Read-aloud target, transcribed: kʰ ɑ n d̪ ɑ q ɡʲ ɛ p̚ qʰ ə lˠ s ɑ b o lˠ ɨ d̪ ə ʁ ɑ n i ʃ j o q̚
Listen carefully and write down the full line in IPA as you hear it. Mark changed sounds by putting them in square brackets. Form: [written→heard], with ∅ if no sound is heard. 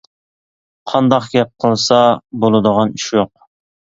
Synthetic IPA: [kʰ→qʰ] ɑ n d̪ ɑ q ɡʲ ɛ p̚ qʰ ə lˠ s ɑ b o lˠ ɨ d̪ ə ʁ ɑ n i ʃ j o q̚